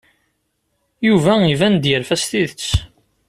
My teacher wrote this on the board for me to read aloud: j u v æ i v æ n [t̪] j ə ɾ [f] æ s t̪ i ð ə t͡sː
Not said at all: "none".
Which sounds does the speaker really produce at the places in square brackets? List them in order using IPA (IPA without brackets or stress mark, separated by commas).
d̪, f